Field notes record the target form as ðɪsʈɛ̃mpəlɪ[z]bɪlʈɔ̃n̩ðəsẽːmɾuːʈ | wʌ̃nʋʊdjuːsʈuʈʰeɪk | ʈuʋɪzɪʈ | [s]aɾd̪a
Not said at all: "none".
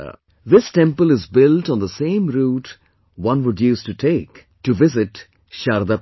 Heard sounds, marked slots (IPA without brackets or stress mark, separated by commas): z, ʃ